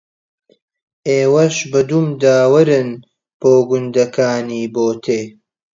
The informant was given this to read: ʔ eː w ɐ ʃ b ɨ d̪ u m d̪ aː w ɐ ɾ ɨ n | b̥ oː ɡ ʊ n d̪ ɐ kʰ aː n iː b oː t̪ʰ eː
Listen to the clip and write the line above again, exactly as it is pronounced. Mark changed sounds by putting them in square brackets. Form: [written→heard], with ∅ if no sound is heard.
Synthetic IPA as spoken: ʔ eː w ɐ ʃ b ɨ d̪ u m d̪ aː w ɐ ɾ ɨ n | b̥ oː ɡ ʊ n d̪ ɐ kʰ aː n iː b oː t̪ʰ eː